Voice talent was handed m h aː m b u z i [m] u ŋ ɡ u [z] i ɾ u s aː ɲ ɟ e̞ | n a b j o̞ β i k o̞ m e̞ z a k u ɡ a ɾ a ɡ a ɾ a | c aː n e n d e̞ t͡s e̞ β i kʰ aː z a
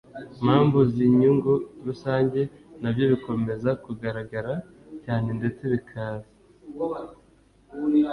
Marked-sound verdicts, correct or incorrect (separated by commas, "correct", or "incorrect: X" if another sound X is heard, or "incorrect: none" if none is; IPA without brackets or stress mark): incorrect: ɲ, incorrect: none